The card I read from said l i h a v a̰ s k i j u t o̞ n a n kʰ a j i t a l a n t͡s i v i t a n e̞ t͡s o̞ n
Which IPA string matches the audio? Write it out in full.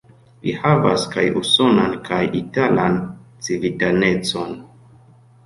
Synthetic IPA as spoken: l i h a v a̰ s k a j u s o̞ n a n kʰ a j i t a l a n t͡s i v i t a n e̞ t͡s o̞ n